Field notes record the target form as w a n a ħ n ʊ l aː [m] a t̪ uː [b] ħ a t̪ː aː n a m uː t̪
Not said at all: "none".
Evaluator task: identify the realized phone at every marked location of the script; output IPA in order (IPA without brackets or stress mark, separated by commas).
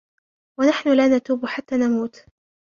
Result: n, b